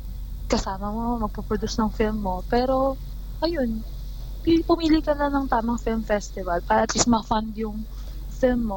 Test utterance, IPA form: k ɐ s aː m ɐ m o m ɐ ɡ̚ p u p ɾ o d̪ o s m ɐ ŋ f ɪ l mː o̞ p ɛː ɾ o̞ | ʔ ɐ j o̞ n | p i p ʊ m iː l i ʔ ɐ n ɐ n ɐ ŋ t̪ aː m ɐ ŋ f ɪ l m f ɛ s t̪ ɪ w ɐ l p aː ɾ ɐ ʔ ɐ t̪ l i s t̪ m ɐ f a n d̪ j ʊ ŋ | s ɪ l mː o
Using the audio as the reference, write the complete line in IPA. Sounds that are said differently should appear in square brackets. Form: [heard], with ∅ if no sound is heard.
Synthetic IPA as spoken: k ɐ s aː m ɐ m o m ɐ ɡ̚ p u p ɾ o d̪ [u] s [n] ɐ ŋ f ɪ l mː o̞ p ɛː ɾ o̞ | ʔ ɐ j o̞ n | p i p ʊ m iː l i [k] ɐ n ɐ n ɐ ŋ t̪ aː m ɐ ŋ f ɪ l m f ɛ s t̪ ɪ [v] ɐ l p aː ɾ ɐ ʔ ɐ t̪ l i s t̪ m ɐ f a n d̪ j ʊ ŋ | [f] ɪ l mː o